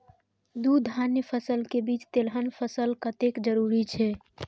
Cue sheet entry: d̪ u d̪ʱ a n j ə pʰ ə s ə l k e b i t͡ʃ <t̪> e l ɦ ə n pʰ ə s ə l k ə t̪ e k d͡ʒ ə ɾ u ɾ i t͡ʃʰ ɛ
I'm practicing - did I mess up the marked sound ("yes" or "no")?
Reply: no